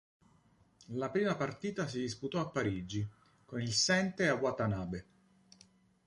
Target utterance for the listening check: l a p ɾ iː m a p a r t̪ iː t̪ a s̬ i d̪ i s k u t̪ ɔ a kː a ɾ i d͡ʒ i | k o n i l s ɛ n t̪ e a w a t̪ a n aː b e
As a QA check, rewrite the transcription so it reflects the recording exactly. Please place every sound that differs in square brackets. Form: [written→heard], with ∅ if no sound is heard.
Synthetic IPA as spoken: l a p ɾ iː m a p a r t̪ iː t̪ a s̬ i d̪ i s [k→p] u t̪ ɔ a [kː→pː] a ɾ i d͡ʒ i | k o n i l s ɛ n t̪ e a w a t̪ a n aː b e